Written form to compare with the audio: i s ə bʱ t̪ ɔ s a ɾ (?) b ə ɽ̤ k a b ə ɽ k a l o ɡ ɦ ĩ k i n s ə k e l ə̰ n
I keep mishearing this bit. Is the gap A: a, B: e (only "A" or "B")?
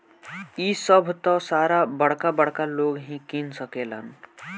A